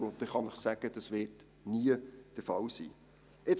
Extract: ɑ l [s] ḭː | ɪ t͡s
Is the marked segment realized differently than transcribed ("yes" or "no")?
no